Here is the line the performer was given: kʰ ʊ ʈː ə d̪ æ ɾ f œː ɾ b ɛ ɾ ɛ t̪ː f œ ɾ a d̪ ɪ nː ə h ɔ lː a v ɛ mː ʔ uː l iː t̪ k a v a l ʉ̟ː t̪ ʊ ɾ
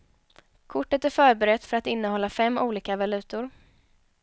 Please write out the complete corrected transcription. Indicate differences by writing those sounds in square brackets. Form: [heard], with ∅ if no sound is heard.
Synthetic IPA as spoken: kʰ ʊ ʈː ə [t̪] æ ɾ f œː ɾ b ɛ ɾ ɛ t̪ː f œ ɾ a [t̪] ɪ nː ə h ɔ lː a [f] ɛ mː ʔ uː l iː [∅] k a v a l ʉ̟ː t̪ ʊ ɾ